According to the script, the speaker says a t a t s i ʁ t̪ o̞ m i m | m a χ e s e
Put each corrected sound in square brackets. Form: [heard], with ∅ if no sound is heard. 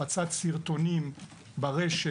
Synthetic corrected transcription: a [t͡s] a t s i ʁ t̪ o̞ [n] i m | [b] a [ʁ] e [ʃ] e